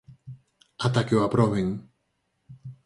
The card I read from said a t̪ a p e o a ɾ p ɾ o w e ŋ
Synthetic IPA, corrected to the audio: a t̪ a k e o a p ɾ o β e ŋ